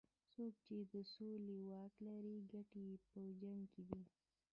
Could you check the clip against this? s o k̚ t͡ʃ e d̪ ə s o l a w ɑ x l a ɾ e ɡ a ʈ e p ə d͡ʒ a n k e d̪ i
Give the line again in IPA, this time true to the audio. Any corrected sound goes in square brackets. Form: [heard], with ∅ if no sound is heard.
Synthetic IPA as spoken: s o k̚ t͡ʃ e d̪ ə s o l [e] w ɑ [k] l a ɾ [i] ɡ a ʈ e p ə d͡ʒ a [ŋ] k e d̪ i